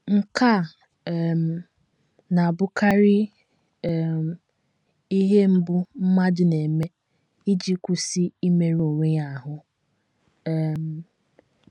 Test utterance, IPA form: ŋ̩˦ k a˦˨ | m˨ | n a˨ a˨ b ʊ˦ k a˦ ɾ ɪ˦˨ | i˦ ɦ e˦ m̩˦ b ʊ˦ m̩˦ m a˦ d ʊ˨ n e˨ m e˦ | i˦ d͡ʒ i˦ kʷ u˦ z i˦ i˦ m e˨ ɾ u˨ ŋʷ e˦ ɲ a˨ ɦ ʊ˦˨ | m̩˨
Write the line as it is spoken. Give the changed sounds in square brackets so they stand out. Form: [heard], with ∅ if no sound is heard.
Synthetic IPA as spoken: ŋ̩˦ k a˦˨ | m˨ | n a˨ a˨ b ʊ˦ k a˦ ɾ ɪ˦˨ | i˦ ɦ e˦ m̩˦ b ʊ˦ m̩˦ m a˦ d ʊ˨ n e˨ m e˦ | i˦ d͡ʒ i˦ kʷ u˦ [s] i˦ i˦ m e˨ ɾ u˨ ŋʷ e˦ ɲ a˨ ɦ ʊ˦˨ | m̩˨